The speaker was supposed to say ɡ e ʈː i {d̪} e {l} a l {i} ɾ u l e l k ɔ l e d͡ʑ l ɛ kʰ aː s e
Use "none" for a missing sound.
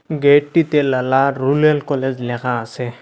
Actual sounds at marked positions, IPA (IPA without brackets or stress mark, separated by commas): t̪, l, a